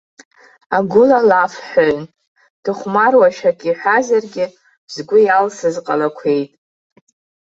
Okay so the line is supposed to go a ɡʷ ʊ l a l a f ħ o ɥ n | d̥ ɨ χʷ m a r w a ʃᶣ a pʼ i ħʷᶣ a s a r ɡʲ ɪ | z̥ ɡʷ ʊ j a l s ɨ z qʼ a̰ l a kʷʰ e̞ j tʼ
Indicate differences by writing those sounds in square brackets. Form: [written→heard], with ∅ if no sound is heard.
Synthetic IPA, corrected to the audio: a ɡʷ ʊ l a l a f ħ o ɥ n | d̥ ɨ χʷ m a r w a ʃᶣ a [pʼ→kʼ] i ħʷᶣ a [s→z] a r ɡʲ ɪ | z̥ ɡʷ ʊ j a l s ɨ z qʼ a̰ l a kʷʰ e̞ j tʼ